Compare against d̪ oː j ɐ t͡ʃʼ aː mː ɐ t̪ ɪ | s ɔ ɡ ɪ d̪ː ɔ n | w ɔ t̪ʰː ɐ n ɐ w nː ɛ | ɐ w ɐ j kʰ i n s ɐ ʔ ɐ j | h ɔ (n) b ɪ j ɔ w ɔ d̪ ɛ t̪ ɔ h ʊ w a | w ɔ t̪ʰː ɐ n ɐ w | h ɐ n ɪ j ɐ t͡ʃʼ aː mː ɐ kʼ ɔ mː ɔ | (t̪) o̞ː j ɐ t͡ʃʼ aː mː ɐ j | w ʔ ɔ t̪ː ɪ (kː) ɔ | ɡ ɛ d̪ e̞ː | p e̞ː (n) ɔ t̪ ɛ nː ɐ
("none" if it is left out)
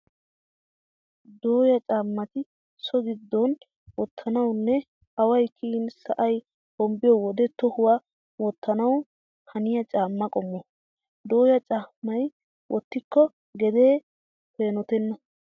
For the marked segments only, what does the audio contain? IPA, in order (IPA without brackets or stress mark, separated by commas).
m, d̪, kː, n